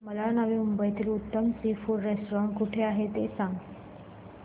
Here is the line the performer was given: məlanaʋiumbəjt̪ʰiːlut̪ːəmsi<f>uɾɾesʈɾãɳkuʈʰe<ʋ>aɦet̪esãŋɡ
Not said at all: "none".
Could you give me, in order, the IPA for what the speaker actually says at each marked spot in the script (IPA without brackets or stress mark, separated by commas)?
f, none